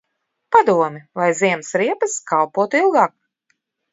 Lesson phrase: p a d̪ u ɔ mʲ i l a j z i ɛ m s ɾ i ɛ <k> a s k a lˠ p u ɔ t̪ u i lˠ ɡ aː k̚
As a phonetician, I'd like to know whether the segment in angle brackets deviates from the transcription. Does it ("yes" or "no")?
yes